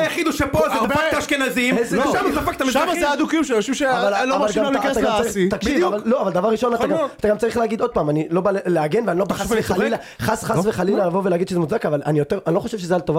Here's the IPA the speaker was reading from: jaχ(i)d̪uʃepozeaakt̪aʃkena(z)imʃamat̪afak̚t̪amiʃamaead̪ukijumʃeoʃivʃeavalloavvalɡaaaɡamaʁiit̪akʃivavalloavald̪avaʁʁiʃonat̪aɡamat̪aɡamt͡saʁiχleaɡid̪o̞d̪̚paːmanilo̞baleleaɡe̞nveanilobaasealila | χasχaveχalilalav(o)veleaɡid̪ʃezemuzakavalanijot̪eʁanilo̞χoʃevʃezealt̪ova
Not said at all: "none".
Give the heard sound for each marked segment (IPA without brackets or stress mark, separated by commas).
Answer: i, z, o